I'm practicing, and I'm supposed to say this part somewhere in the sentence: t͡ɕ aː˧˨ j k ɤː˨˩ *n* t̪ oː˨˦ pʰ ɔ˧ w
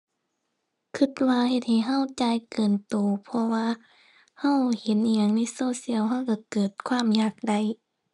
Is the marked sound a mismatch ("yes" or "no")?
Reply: no